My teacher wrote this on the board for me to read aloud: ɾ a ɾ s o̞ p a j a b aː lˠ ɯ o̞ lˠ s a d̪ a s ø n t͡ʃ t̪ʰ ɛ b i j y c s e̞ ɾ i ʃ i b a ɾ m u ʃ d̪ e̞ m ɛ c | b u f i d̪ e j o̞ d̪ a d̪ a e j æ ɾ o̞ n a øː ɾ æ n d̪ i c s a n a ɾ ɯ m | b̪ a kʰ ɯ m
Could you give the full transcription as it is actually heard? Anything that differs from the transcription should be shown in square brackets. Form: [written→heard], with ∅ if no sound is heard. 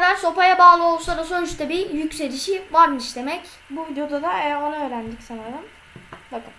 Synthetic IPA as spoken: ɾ a ɾ s o̞ p a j a b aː lˠ ɯ o̞ lˠ s a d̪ a s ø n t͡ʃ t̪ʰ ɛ b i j y c s e̞ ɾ i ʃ i [b→v] a ɾ m [u→ɯ] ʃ d̪ e̞ m ɛ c | b u [f→v] i d̪ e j o̞ d̪ a d̪ a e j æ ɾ o̞ n a øː ɾ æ n d̪ i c s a n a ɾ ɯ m | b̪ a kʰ ɯ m